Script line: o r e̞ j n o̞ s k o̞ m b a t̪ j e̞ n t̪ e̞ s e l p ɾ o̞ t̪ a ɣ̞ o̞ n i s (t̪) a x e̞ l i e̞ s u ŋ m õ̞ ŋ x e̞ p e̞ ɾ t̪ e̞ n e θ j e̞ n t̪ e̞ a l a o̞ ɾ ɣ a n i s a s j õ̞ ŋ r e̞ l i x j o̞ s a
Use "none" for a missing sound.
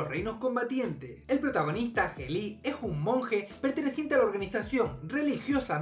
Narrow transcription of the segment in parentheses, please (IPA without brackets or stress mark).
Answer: t̪